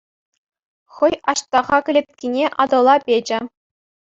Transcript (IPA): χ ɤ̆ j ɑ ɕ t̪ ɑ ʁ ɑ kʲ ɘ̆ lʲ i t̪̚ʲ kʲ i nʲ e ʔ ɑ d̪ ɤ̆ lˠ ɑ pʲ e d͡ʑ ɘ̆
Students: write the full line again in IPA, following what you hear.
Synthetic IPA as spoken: χ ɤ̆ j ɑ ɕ t̪ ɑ ʁ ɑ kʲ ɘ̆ lʲ e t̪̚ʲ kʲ i nʲ e ʔ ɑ d̪ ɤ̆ lˠ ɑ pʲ e d͡ʑ ɘ̆